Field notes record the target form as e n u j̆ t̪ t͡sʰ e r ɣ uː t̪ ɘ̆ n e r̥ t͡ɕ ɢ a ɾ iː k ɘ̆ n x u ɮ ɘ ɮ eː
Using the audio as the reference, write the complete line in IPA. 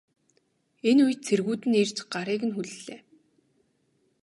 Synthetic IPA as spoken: e n u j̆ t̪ t͡sʰ e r ɣ uː t̪ ɘ̆ n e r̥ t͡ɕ ɢ a ɾ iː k ɘ̆ n x u ɮ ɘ ɮ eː